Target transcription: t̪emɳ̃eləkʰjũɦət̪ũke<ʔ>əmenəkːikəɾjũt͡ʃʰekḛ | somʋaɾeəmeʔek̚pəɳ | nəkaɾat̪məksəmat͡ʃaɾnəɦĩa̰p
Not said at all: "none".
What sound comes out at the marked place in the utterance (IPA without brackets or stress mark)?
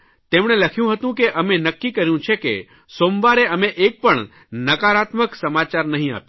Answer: ʔ